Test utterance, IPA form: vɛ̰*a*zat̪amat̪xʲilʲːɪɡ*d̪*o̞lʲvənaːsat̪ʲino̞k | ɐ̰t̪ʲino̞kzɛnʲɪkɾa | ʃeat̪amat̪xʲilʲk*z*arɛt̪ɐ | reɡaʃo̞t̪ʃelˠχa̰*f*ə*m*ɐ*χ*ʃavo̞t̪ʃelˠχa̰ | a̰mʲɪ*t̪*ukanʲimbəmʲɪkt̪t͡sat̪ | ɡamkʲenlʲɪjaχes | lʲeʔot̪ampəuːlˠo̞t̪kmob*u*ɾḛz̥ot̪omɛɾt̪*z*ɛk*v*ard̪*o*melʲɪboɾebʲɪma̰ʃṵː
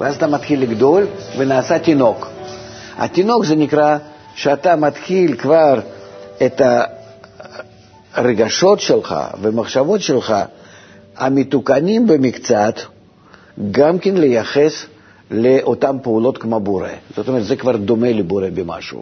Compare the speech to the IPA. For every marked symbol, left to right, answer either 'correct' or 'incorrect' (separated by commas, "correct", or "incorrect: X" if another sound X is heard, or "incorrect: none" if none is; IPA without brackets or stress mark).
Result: correct, correct, incorrect: v, incorrect: v, correct, correct, correct, incorrect: o, correct, correct, correct